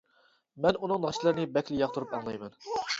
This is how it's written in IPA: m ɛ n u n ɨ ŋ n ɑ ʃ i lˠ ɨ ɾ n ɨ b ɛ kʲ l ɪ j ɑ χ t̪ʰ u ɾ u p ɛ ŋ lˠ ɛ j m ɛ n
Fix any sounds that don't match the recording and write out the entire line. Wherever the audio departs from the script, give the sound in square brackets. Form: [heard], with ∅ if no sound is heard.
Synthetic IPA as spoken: m ɛ n u n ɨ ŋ n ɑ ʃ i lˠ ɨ ɾ n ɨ b ɛ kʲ l ɪ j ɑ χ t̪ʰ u ɾ u p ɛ ŋ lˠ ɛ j m ɛ n